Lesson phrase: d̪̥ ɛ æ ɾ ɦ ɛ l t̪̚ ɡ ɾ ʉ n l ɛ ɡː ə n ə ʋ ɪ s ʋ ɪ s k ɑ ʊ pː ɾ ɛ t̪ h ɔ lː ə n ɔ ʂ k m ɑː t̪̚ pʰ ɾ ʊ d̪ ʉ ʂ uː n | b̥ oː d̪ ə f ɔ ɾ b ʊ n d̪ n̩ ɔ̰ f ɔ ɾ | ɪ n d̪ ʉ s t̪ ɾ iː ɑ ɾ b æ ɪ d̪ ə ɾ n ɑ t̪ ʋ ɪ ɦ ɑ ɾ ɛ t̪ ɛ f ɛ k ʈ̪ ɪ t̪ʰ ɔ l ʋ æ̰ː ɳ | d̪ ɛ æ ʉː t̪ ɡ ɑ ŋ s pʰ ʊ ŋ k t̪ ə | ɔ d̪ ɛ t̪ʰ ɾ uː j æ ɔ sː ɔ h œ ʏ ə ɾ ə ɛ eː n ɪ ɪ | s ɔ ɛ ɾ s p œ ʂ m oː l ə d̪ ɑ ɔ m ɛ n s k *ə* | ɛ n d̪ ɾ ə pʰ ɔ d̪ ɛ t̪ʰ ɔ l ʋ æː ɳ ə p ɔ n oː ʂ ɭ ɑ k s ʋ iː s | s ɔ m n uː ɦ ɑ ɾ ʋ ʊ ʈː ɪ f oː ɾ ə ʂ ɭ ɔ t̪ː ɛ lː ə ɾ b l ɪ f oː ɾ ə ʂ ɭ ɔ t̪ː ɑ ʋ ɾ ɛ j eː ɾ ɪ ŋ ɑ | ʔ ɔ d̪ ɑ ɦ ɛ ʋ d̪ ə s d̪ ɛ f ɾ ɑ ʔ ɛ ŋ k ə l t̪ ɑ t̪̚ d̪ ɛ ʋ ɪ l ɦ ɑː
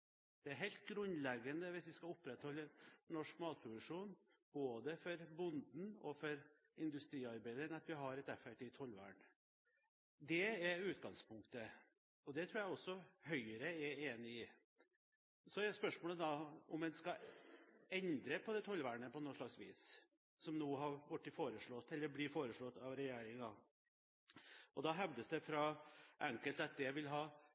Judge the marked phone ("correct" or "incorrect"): incorrect